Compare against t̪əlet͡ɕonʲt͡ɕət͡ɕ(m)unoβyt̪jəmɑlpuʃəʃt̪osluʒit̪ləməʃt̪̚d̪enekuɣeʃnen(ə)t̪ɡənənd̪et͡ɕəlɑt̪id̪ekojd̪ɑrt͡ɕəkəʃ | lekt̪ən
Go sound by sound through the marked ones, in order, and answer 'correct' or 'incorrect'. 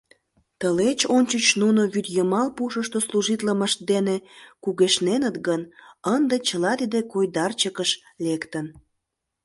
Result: incorrect: n, correct

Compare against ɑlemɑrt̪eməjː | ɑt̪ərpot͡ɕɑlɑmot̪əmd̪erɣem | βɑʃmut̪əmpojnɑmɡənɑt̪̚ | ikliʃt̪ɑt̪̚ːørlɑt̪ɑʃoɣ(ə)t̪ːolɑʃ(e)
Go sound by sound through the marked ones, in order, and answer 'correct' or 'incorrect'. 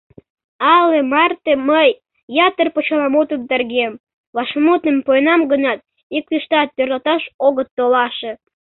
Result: correct, correct

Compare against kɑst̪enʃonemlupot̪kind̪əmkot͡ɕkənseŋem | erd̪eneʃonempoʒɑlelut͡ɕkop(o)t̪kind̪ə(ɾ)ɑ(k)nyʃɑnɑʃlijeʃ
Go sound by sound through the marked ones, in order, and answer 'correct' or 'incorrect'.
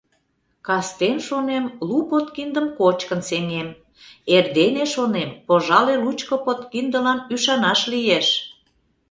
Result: correct, incorrect: l, incorrect: none

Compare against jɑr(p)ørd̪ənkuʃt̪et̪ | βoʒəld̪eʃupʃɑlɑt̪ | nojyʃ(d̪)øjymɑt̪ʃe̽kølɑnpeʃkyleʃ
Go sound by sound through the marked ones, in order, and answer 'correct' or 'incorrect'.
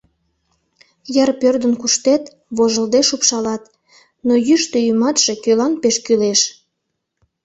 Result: correct, incorrect: t̪

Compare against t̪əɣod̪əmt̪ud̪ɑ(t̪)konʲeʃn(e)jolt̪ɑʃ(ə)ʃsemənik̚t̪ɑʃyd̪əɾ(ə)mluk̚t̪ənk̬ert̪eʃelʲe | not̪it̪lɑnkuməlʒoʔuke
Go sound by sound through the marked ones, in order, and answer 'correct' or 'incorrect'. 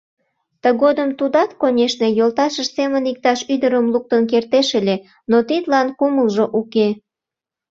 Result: correct, correct, correct, correct

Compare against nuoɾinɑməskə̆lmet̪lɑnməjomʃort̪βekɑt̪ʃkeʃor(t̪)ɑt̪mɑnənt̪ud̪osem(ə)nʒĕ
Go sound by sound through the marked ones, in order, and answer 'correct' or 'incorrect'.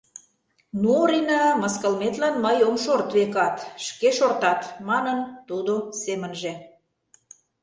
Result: correct, correct

